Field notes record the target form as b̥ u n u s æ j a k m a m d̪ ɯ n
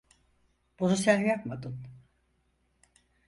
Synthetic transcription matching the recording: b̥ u n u s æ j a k m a d̪ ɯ n